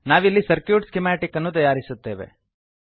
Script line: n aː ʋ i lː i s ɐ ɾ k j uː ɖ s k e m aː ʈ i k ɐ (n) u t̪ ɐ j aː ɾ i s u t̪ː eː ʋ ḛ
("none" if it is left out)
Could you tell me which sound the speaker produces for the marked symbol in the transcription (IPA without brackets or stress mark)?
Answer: nː